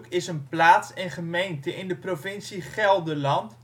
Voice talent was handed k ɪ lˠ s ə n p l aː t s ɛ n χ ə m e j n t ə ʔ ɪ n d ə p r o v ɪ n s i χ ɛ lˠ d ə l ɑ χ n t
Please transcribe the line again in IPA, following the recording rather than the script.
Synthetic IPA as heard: k ɪ s ə n p l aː t s ɛ n χ ə m e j n t ə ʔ ɪ n d ə p r o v ɪ n s i χ ɛ lˠ d ə l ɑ n t